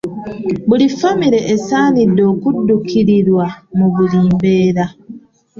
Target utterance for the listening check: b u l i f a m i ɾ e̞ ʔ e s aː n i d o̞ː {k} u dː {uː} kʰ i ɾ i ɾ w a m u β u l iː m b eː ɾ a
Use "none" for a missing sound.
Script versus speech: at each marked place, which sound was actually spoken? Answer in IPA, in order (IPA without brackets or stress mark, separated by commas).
k, u